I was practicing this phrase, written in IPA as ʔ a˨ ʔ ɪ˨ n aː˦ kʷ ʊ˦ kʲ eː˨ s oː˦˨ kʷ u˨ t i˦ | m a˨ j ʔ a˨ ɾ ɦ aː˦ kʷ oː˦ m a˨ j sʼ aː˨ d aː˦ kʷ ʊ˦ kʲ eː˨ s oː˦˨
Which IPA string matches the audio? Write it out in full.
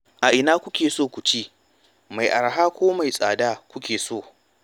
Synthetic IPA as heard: ʔ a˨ ʔ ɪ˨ n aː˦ kʷ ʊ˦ kʲ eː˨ s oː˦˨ kʷ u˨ t͡ʃ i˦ | m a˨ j ʔ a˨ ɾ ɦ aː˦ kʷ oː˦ m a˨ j sʼ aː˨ d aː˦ kʷ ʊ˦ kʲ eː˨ s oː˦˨